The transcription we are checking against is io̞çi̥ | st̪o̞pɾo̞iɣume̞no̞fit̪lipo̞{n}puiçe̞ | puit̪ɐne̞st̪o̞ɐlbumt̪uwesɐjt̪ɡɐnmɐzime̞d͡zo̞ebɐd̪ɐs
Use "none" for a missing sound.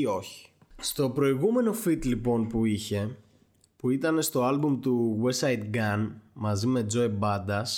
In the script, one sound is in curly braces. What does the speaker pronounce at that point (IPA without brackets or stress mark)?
n